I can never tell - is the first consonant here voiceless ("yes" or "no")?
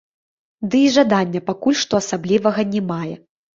no